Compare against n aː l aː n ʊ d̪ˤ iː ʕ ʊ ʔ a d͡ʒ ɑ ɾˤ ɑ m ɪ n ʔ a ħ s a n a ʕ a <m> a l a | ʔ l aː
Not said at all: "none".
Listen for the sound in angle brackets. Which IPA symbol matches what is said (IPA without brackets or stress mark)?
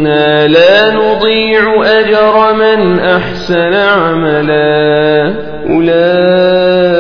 m